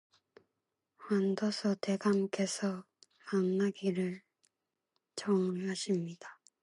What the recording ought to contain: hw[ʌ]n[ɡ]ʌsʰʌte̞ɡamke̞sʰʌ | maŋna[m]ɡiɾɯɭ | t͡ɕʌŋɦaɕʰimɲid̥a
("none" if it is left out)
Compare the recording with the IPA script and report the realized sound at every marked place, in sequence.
a, d, none

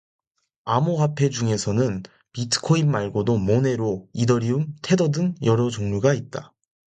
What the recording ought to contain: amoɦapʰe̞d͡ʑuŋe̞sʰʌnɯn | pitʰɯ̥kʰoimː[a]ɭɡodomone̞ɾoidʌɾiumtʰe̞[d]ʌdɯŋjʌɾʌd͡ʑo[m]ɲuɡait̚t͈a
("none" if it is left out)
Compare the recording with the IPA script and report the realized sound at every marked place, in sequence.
a, d, ŋ

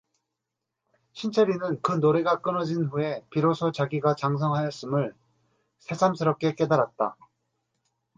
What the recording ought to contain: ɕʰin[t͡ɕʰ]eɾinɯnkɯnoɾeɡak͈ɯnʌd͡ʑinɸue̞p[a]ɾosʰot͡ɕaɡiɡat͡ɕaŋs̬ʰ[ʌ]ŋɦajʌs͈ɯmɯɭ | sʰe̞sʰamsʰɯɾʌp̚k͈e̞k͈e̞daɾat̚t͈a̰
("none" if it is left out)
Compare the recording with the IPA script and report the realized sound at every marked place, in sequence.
t͡ɕʰ, i, ʌ

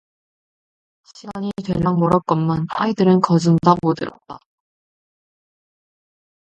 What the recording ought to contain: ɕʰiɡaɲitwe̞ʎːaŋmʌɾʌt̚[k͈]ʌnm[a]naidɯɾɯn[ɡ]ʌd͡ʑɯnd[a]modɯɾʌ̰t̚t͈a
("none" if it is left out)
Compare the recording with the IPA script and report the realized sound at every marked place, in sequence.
k͈, a, k, a

